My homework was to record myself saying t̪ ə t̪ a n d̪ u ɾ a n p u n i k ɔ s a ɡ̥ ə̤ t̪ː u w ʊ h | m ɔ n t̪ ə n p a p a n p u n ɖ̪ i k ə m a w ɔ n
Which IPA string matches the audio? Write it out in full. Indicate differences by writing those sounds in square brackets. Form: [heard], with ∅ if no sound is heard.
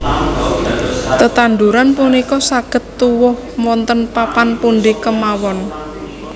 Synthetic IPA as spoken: t̪ ə t̪ a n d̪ u ɾ a n p u n i k ɔ s a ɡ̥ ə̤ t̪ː u w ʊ h | m ɔ n t̪ ə n p a p a n p u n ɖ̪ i k ə m a w ɔ n